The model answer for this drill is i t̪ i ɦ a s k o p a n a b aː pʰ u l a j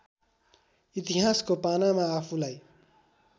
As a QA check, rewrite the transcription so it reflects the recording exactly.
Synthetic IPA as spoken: i t̪ i ɦ a s k o p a n a m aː pʰ u l a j